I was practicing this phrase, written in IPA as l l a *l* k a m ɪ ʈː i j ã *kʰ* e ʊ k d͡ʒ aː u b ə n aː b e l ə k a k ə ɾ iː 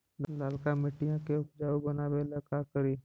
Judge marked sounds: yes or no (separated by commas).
yes, no